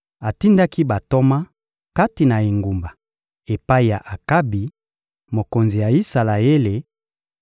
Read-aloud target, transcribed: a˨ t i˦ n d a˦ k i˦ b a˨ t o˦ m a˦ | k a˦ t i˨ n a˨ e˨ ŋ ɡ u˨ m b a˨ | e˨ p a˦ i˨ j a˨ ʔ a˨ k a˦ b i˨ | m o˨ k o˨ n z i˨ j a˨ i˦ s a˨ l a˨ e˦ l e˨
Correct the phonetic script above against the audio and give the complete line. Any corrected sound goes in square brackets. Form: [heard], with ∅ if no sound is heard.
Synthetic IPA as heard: a˨ t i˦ n d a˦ k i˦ b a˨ t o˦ m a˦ | k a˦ t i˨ n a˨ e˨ ŋ ɡ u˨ m b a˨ | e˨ p a˦ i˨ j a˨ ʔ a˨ k a˦ b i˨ | m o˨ k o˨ n z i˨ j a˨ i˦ s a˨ l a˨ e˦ l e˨